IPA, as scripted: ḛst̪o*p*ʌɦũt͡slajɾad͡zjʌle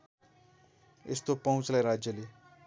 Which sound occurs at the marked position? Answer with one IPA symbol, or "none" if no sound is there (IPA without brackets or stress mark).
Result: p